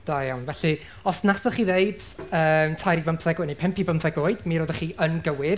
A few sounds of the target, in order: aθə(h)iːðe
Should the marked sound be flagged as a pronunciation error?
yes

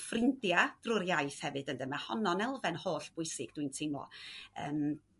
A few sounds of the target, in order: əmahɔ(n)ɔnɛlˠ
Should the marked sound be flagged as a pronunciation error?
no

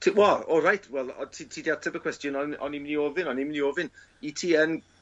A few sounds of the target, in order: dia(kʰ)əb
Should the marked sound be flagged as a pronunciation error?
yes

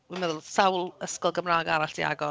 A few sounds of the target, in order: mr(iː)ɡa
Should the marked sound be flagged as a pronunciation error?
yes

